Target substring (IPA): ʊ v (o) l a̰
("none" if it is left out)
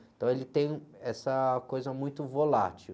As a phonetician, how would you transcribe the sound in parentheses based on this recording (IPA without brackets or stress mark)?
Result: o